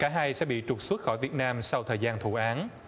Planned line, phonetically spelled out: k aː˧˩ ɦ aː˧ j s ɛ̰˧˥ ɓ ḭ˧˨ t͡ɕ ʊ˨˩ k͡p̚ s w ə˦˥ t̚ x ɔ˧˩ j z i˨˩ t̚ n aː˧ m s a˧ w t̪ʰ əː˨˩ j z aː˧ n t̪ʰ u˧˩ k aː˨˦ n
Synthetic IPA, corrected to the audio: k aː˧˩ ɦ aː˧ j s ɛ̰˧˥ ɓ ḭ˧˨ t͡ɕ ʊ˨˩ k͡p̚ s w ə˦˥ t̚ x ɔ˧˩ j v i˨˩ t̚ n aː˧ m s a˧ w t̪ʰ əː˨˩ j z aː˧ n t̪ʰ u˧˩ ʔ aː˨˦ n